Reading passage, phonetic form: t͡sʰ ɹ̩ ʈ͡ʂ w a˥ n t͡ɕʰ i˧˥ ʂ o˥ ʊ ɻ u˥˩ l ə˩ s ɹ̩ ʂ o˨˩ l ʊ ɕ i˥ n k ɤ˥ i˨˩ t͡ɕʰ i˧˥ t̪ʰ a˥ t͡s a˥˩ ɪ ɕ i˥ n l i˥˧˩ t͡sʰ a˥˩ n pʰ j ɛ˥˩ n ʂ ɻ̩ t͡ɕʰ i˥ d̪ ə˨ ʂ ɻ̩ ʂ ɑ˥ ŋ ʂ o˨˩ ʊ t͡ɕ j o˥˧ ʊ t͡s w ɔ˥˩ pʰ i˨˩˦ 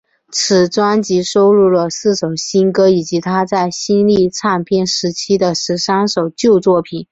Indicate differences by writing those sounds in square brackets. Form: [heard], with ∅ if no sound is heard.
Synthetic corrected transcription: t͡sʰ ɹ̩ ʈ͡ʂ w a˥ n [t͡ɕ] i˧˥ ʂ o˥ ʊ ɻ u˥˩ l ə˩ s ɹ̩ ʂ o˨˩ [∅] ʊ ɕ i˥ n k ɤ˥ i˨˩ [t͡ɕ] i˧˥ t̪ʰ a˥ t͡s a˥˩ ɪ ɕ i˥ n l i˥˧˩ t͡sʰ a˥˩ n pʰ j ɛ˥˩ n ʂ ɻ̩ t͡ɕʰ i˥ d̪ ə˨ ʂ ɻ̩ ʂ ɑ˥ ŋ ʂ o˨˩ ʊ t͡ɕ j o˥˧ ʊ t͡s w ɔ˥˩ pʰ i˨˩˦